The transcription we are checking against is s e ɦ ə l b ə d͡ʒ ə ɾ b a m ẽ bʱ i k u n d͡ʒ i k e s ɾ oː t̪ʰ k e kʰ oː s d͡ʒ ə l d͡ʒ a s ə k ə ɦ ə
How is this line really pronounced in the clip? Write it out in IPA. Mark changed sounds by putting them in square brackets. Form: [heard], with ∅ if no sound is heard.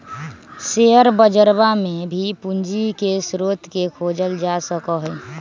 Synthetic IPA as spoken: s e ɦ ə [ɾ] b ə d͡ʒ ə ɾ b a m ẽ bʱ i [p] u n d͡ʒ i k e s ɾ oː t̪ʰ k e kʰ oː [∅] d͡ʒ ə l d͡ʒ a s ə k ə ɦ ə